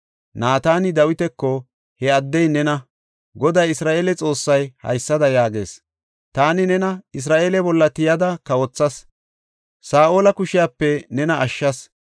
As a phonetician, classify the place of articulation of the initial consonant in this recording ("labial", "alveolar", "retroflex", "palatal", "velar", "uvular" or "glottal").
alveolar